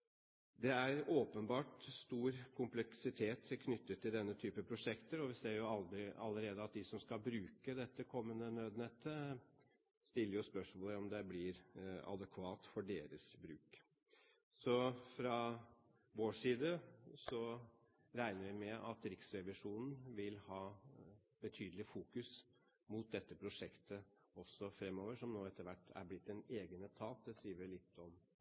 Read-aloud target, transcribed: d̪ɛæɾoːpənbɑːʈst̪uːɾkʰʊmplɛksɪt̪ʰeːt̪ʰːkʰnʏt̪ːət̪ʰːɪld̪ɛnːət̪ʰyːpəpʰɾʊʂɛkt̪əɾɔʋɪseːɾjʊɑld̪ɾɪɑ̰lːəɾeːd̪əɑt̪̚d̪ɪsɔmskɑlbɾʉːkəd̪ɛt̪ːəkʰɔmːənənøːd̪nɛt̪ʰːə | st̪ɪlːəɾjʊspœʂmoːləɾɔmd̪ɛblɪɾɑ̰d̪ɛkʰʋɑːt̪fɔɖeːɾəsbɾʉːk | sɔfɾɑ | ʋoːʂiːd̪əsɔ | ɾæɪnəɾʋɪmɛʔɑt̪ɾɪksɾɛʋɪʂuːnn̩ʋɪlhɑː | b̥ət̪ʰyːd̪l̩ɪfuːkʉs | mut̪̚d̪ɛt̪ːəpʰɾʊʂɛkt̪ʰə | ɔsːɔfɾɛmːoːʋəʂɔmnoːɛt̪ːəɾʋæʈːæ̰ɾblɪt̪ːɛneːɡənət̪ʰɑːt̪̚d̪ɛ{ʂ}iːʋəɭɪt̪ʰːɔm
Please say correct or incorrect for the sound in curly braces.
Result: incorrect: s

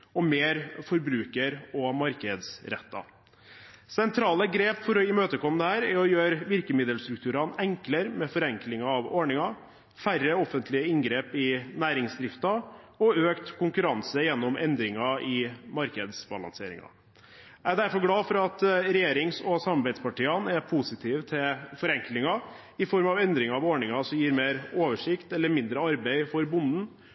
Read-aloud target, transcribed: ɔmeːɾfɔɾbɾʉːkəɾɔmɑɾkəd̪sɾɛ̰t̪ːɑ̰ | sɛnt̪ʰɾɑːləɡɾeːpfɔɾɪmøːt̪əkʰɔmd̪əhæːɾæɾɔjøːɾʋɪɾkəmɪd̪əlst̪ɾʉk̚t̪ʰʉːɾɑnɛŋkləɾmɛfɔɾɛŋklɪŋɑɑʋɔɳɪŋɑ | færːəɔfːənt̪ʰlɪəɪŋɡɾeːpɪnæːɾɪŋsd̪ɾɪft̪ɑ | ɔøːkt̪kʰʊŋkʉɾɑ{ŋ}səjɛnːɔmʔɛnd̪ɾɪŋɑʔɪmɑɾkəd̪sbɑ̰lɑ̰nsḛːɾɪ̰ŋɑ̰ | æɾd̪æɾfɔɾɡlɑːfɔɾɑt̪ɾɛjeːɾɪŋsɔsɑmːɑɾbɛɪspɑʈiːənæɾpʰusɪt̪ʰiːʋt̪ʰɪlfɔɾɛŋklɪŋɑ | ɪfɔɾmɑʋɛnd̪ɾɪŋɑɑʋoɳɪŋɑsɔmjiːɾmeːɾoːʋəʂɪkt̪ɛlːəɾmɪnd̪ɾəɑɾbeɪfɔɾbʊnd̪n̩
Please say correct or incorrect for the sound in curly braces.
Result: incorrect: n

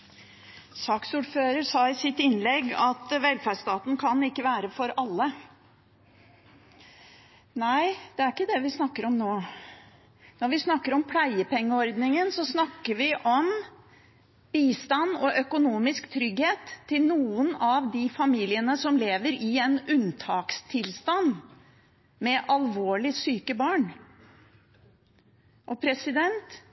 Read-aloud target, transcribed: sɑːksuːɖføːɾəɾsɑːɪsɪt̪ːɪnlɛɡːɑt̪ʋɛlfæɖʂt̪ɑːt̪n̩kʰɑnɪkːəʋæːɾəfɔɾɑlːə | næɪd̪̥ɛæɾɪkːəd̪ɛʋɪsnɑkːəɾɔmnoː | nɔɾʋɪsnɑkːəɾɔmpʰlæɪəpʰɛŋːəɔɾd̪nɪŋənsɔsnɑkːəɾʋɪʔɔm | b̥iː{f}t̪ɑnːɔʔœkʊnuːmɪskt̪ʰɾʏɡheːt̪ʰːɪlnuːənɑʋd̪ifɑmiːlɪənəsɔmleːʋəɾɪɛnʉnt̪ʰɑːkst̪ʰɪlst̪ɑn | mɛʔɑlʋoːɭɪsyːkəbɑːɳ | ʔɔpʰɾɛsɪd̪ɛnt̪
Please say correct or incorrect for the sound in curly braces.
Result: incorrect: s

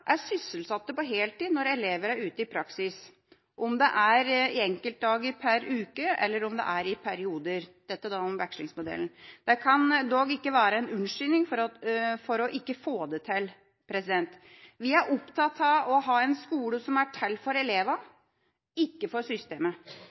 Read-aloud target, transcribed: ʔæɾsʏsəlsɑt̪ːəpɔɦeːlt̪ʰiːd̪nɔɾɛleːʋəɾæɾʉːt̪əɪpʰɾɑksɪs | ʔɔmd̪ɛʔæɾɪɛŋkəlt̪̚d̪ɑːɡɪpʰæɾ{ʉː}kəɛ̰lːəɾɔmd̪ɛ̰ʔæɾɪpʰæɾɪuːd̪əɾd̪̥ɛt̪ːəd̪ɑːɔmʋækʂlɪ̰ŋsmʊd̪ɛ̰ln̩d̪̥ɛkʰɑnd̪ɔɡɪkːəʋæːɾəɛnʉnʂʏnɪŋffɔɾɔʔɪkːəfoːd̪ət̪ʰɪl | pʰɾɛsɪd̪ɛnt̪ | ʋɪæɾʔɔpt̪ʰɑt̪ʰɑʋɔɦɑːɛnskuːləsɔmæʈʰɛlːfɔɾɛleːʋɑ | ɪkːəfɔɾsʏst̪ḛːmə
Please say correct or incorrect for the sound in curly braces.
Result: correct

